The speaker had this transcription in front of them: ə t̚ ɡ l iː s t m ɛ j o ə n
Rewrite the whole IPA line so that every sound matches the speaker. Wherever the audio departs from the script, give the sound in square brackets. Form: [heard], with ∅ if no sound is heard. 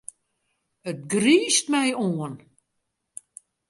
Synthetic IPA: ə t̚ ɡ [r] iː s t m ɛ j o ə n